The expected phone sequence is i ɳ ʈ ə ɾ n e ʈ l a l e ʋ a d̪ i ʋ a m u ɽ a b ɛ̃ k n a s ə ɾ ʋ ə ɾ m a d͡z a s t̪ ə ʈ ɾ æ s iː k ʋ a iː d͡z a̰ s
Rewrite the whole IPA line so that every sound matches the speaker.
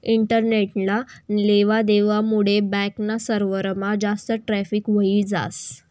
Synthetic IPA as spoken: i ɳ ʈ ə ɾ n e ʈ l a l e ʋ a d̪ e ʋ a m u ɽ e b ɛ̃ k n a s ə ɾ ʋ ə ɾ m a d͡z a s t̪ ə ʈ ɾ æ f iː k ʋ ə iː d͡z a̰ s